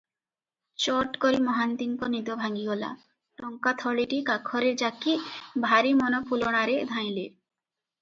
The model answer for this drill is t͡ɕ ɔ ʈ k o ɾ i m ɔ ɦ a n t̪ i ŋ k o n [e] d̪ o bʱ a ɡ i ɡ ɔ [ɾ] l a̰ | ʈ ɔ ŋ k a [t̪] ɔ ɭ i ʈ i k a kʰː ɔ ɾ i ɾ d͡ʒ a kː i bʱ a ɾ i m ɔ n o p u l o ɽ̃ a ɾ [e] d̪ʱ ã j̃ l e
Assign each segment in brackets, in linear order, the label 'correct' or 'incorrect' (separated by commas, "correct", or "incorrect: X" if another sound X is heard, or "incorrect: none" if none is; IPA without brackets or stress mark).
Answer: incorrect: i, incorrect: none, incorrect: t̪ʰ, correct